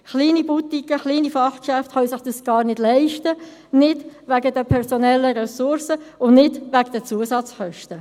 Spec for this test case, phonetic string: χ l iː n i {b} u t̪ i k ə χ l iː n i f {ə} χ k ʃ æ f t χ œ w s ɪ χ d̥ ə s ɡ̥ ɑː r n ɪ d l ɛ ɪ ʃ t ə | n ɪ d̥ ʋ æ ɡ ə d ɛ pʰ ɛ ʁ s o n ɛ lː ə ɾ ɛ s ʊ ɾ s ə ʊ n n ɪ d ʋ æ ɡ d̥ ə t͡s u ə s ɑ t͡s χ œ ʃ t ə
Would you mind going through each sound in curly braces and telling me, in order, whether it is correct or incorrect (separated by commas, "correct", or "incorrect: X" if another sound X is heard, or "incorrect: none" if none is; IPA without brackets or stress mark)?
correct, incorrect: ɑ